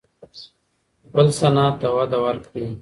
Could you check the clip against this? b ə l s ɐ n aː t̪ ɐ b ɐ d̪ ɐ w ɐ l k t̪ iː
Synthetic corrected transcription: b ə l s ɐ n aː t̪ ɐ w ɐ d̪ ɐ w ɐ ɾ k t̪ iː

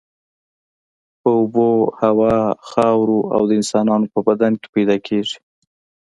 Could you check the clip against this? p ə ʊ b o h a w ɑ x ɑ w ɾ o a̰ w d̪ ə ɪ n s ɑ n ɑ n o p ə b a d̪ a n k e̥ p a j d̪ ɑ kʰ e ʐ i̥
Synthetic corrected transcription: p ə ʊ b o h a w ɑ x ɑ w ɾ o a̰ w d̪ ə ɪ n s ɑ n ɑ n o p ə b a d̪ a n k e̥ p a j d̪ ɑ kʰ e ʐ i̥

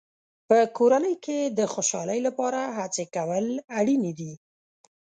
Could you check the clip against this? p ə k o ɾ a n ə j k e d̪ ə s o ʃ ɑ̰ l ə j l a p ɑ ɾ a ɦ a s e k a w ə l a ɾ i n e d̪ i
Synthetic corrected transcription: p ə k o ɾ a n ə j k e d̪ ə x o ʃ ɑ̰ l ə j l a p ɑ ɾ a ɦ a t͡s e k a w ə l a ɽ i n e d̪ i

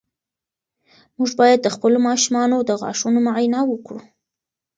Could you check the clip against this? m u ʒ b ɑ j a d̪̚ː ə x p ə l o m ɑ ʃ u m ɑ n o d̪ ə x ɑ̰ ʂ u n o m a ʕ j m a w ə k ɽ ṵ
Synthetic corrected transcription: m u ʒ b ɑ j a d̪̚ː ə x p ə l o m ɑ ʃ u m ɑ n o d̪ ə ɣ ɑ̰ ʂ u n o m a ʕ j n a w ə k ɽ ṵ

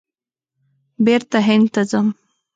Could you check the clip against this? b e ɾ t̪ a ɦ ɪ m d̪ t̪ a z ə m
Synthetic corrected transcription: b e ɾ t̪ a ɦ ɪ n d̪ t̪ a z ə m

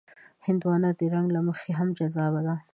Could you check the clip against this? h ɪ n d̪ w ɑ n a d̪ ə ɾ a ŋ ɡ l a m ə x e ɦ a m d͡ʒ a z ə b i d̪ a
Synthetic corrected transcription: h ɪ n d̪ w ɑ n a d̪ ə ɾ a ŋ ɡ l a m ə x e ɦ a m d͡ʒ a z ɑ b a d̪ a

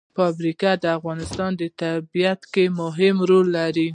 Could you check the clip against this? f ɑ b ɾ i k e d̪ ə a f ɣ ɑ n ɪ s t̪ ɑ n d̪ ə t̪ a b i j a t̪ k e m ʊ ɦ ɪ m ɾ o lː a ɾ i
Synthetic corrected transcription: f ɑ b ɾ i k a d̪ ə a f ɣ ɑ n ɪ s t̪ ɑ n d̪ ə t̪ a b i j a t̪ k e m ʊ ɦ ɪ m ɾ o lː a ɾ i

